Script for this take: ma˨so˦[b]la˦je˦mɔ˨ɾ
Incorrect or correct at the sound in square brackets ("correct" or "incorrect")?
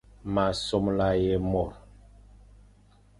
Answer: incorrect